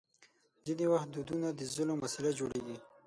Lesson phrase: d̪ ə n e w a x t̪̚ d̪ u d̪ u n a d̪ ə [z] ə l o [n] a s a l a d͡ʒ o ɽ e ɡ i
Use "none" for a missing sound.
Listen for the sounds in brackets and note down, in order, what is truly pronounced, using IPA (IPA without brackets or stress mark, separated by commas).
z, m